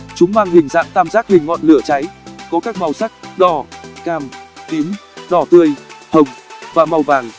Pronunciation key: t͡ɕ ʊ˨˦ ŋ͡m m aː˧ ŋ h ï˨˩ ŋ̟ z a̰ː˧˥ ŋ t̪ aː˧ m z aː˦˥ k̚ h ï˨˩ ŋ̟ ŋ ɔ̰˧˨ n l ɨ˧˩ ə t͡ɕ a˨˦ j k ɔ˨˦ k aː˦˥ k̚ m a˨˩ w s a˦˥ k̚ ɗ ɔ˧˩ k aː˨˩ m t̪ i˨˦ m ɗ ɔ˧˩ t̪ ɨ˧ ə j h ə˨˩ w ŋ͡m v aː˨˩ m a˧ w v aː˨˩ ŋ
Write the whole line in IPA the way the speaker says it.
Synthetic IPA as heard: t͡ɕ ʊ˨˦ ŋ͡m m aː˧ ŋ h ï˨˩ ŋ̟ z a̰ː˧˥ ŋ t̪ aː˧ m z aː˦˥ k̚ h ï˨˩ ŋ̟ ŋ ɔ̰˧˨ n l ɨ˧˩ ə t͡ɕ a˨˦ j k ɔ˨˦ k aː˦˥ k̚ m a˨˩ w s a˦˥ k̚ ɗ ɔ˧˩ k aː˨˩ m t̪ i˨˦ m ɗ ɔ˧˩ t̪ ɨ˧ ə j h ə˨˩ w ŋ͡m v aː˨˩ m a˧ w v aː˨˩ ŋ